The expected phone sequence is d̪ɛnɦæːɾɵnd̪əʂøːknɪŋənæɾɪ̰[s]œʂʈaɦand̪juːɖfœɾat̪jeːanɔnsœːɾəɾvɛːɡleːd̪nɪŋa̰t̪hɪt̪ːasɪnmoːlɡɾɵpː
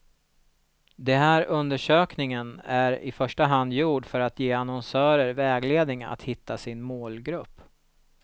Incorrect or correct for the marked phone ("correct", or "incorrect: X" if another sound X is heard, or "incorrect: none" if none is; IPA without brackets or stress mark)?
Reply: incorrect: f